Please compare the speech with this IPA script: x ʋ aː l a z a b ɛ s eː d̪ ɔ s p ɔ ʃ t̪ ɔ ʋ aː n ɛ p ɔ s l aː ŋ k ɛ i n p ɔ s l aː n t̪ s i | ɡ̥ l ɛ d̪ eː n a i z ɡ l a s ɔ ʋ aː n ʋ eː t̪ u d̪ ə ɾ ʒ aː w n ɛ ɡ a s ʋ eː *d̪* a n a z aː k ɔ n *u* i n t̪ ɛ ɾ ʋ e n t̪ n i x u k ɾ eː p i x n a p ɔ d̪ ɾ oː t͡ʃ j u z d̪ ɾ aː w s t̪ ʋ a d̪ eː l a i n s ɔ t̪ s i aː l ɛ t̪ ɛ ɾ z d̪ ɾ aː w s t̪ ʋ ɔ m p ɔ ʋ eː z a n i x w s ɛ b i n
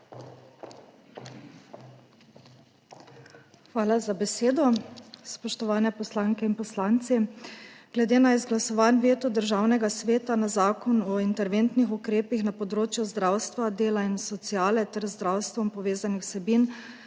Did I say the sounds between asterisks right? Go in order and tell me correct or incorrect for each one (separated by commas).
incorrect, incorrect